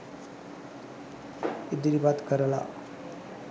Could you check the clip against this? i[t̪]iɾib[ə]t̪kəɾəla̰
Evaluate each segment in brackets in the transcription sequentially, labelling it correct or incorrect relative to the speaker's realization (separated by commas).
incorrect, incorrect